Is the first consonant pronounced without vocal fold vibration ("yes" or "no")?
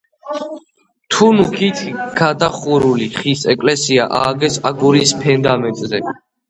yes